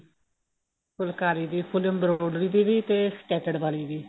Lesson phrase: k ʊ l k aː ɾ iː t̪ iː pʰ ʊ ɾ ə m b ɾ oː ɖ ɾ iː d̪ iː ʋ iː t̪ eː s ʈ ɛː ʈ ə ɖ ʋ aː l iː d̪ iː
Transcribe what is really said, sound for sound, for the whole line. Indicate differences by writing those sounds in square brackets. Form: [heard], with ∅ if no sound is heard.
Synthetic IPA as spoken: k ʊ l k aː ɾ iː [d̪] iː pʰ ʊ [l] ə m b ɾ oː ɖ ɾ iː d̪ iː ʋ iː t̪ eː s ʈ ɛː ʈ ə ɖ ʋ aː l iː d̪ iː